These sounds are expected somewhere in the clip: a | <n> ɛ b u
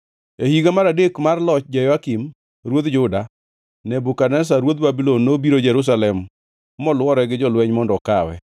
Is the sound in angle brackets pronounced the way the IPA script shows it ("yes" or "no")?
yes